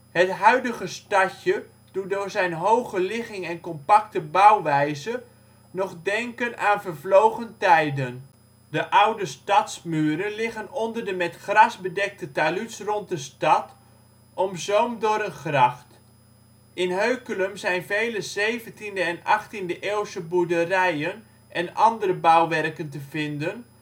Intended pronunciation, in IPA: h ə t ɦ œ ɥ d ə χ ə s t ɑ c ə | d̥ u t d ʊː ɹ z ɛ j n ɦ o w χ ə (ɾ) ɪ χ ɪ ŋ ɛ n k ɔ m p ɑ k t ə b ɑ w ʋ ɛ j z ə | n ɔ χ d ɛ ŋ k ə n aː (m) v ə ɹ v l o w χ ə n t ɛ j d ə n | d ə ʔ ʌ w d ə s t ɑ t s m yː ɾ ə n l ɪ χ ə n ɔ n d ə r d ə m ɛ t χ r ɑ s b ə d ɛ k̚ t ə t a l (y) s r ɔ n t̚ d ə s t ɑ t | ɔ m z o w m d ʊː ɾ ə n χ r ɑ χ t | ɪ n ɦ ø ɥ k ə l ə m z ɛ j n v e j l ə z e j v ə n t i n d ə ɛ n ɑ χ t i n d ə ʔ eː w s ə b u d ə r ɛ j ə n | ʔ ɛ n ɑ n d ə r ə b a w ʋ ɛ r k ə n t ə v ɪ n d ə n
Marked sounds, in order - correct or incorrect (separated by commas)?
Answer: incorrect, incorrect, correct